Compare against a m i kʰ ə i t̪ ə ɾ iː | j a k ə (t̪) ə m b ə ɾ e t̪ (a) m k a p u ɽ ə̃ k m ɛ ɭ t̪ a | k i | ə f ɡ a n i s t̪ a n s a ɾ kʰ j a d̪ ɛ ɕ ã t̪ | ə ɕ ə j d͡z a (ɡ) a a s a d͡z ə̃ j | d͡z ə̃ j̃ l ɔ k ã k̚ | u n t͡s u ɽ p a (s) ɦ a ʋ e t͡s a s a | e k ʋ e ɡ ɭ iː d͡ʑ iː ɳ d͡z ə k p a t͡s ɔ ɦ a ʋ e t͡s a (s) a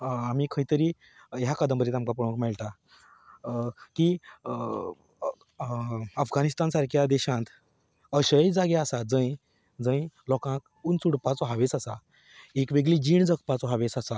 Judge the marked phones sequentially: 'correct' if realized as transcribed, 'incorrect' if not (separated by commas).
incorrect, correct, correct, incorrect, correct